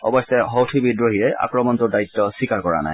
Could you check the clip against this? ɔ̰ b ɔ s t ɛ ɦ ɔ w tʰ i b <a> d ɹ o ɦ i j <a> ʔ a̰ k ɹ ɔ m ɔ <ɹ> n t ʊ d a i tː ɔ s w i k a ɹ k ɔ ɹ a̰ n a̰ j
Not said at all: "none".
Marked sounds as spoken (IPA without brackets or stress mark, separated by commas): i, ɛ, none